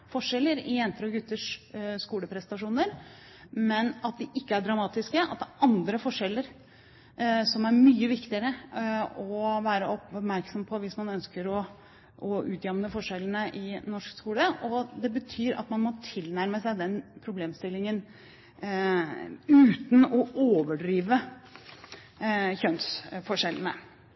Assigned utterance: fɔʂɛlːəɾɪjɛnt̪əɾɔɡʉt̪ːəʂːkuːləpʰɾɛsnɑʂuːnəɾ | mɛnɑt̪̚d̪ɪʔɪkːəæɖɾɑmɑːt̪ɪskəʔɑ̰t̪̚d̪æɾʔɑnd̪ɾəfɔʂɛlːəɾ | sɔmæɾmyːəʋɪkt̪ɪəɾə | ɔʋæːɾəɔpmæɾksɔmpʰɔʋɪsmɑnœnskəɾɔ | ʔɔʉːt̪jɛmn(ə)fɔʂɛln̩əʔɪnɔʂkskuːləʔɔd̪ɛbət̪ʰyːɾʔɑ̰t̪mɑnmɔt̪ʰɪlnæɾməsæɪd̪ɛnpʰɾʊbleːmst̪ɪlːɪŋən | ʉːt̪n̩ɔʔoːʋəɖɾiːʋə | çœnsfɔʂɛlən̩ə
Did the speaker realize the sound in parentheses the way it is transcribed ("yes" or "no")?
yes